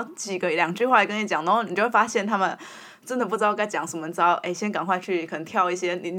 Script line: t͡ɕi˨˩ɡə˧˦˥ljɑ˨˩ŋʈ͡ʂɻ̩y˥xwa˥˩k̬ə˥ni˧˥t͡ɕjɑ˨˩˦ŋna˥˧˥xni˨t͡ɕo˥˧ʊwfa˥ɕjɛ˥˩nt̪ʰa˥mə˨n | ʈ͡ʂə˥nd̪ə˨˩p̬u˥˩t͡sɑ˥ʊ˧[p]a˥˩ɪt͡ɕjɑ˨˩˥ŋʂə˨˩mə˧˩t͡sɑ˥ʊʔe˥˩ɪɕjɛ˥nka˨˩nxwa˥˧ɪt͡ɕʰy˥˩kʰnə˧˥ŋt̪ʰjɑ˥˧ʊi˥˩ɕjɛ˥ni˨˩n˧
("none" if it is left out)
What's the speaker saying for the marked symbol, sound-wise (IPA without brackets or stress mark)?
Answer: k